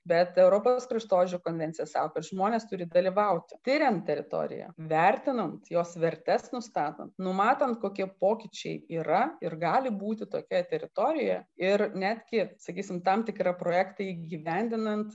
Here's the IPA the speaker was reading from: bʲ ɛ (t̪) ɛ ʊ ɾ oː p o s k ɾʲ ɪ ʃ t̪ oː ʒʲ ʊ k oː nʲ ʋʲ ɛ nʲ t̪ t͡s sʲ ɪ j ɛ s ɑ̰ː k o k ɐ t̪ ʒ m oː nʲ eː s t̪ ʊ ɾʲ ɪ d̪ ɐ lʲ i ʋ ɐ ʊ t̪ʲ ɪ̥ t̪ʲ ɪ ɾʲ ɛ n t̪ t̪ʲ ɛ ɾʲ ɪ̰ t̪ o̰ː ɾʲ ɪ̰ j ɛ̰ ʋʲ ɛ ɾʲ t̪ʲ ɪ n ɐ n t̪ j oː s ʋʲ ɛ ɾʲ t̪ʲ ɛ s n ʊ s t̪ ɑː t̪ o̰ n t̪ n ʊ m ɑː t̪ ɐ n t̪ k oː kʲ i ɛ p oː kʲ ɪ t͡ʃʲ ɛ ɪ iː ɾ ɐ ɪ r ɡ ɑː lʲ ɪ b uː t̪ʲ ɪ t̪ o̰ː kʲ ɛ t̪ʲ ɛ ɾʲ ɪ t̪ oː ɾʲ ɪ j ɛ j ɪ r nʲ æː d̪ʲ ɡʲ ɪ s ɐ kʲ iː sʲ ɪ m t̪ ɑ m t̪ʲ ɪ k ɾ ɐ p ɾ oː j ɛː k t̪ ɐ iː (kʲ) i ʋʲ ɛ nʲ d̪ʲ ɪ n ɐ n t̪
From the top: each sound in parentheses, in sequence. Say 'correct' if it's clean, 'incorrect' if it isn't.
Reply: correct, incorrect

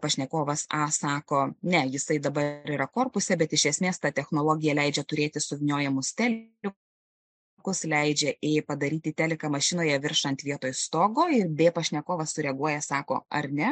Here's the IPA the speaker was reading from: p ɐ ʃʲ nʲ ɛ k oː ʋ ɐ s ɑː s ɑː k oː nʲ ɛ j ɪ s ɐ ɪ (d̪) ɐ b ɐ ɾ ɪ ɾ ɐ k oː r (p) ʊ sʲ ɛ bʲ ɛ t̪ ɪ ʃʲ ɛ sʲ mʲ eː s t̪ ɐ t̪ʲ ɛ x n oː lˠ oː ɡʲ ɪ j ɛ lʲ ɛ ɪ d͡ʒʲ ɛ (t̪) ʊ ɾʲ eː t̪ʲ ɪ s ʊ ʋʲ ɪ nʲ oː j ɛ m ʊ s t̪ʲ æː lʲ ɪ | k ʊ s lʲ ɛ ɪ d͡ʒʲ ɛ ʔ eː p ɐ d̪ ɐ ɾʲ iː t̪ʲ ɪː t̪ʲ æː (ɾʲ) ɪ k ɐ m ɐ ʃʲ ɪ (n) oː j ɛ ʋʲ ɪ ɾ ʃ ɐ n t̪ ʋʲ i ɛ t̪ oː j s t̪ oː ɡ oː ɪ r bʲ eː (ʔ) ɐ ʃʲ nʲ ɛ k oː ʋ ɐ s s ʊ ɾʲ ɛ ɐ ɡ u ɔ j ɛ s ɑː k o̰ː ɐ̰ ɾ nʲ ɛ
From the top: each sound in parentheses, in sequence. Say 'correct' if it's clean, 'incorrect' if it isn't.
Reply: correct, correct, correct, incorrect, correct, incorrect

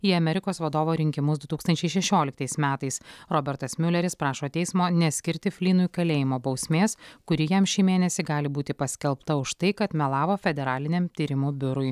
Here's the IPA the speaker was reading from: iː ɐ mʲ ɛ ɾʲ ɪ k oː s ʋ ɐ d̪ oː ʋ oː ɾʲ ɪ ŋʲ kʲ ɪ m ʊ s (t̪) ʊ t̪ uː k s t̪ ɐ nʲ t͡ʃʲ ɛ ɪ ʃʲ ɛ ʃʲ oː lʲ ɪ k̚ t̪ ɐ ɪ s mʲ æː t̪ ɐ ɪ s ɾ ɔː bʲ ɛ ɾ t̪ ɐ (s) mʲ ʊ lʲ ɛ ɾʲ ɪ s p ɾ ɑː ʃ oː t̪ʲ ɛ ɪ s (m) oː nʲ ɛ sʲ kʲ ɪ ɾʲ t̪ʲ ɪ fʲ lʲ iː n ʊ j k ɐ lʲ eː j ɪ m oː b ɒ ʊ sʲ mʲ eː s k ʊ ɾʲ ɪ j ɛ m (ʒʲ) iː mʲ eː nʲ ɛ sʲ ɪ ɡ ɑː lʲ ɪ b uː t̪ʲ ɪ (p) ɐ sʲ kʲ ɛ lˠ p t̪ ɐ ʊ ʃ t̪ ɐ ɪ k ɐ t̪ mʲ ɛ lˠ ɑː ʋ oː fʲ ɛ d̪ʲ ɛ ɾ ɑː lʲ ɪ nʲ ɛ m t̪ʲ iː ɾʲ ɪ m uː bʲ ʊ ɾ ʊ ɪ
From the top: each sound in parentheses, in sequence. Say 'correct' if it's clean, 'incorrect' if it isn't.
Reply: incorrect, correct, correct, incorrect, correct

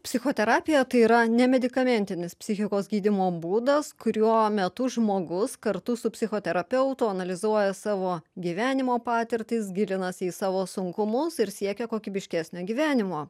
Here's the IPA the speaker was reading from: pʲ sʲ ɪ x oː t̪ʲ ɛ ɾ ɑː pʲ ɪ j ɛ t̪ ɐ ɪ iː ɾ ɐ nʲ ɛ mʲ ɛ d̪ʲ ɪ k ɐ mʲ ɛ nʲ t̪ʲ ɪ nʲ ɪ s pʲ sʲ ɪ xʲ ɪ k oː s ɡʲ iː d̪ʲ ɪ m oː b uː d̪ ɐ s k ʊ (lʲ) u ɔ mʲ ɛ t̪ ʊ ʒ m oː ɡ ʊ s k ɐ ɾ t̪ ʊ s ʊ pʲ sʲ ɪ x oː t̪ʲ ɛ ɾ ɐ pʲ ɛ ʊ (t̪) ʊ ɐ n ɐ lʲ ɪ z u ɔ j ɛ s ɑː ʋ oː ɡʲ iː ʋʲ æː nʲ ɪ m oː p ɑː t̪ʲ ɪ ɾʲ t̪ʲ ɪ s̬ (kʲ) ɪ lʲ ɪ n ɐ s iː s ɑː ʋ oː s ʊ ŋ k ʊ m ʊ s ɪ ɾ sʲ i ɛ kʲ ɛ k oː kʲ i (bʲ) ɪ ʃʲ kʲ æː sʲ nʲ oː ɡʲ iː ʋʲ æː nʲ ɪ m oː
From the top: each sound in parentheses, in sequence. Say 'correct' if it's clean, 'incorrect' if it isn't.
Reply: incorrect, correct, incorrect, correct

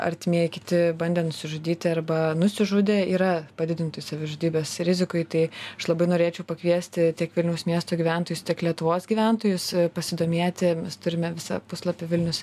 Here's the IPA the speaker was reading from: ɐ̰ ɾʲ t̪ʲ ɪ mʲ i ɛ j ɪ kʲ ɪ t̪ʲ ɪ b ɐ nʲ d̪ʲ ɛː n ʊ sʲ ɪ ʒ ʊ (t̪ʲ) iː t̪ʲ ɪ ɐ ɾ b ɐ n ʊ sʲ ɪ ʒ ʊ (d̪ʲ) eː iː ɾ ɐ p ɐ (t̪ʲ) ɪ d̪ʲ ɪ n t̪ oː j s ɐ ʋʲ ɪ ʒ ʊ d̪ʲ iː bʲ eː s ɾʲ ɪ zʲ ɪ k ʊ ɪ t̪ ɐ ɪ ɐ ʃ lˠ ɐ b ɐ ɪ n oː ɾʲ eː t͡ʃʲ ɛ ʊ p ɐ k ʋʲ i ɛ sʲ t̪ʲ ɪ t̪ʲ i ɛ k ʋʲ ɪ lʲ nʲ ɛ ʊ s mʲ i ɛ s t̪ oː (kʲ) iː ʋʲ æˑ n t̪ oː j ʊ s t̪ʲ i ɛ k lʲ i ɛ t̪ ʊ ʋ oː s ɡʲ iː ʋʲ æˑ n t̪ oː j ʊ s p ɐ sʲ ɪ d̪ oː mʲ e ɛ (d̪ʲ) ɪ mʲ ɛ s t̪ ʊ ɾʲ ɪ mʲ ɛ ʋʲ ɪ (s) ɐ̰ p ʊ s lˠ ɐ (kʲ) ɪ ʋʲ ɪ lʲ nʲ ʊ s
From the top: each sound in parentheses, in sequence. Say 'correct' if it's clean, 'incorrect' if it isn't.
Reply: incorrect, correct, incorrect, incorrect, incorrect, correct, incorrect

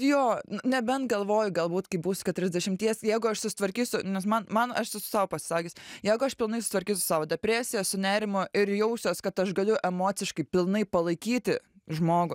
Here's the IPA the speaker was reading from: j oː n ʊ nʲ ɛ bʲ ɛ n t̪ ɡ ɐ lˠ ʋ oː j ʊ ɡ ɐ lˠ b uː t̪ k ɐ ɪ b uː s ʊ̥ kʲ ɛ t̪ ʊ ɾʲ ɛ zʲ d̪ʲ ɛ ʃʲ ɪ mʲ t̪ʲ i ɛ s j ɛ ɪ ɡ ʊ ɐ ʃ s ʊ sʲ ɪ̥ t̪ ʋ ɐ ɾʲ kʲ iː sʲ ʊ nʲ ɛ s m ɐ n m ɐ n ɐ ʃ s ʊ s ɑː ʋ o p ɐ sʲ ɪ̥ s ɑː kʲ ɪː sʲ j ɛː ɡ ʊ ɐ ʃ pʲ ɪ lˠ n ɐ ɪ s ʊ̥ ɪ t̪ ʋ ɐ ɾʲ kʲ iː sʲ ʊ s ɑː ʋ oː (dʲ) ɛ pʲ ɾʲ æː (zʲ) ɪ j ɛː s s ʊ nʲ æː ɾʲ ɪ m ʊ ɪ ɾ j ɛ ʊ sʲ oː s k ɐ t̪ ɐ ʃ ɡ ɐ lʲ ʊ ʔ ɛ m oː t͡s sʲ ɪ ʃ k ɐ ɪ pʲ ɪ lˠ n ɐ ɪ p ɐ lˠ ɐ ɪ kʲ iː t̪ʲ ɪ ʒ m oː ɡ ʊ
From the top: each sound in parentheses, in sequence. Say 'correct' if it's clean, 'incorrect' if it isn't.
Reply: correct, incorrect

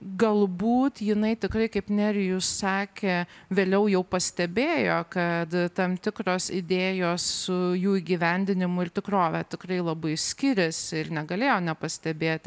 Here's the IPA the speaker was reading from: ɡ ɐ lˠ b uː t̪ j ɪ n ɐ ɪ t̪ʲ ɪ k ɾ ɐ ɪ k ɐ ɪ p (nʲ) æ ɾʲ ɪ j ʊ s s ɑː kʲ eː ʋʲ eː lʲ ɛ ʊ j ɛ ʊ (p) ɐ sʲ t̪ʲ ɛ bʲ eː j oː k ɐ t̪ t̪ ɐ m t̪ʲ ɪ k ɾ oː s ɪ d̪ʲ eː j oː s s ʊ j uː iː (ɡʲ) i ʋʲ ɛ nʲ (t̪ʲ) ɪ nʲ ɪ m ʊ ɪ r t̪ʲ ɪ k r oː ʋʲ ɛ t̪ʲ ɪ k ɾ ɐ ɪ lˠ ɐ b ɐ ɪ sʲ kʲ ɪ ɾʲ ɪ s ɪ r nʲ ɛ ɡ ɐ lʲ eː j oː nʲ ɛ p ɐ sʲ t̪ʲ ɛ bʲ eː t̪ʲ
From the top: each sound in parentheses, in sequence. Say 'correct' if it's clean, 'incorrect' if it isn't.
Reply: correct, correct, correct, incorrect

